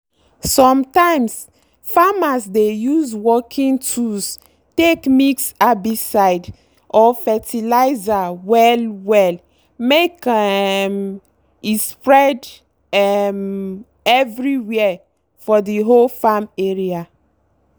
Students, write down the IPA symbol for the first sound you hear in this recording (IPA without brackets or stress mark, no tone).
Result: s